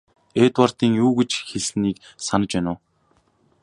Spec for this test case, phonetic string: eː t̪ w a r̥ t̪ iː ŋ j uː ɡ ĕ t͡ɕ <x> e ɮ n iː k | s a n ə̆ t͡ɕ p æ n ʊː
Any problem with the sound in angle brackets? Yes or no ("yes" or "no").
no